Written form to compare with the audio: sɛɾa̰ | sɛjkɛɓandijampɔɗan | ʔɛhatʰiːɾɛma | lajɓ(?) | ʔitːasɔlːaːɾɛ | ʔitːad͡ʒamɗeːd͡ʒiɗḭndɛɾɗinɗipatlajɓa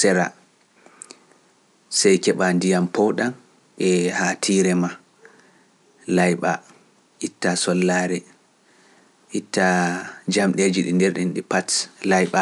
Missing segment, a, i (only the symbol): a